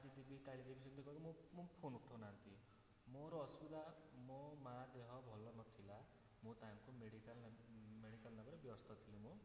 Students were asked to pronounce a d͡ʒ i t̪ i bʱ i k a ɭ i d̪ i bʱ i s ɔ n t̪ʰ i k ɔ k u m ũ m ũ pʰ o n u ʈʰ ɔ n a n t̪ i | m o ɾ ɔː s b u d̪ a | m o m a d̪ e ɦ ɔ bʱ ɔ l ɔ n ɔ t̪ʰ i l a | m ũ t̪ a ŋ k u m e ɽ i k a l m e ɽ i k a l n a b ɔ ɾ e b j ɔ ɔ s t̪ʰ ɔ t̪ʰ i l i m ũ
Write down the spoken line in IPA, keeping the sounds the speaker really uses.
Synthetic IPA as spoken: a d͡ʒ i d̪ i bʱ i k a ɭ i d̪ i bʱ i s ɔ n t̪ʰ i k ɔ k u m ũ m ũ pʰ o n u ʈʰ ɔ n a n t̪ i | m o ɾ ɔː s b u d̪ a | m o m a d̪ e ɦ ɔ bʱ ɔ l ɔ n ɔ t̪ʰ i l a | m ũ t̪ a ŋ k u m e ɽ i k a l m e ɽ i k a l n a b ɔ ɾ e b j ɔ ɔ s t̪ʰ ɔ t̪ʰ i l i m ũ